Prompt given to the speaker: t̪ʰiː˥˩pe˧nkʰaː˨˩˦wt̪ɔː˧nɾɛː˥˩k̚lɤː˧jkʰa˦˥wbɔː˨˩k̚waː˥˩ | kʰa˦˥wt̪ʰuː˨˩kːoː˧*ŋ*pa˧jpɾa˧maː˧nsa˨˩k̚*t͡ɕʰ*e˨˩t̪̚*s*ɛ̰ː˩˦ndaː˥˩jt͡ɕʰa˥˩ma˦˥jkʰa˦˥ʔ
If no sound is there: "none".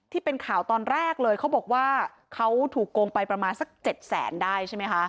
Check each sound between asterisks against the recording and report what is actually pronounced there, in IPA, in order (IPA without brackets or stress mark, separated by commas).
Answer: ŋ, t͡ɕ, s